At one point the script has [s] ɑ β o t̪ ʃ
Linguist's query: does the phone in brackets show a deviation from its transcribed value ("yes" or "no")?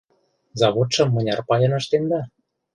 yes